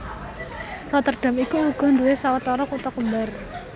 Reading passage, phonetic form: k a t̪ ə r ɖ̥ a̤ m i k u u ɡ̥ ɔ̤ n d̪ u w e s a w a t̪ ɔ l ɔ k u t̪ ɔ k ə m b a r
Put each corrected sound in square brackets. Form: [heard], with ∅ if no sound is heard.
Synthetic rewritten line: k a t̪ ə r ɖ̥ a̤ m i k u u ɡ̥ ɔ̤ n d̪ u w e s a w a t̪ ɔ [ɾ] ɔ k u t̪ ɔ k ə m b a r